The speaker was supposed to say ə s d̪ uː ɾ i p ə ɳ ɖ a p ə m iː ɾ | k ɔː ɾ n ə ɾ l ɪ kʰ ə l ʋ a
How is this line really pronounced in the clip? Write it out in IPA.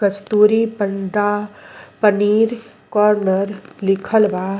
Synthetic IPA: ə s t̪ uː ɾ i p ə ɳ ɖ a p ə n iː ɾ | k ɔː ɾ n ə ɾ l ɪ kʰ ə l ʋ a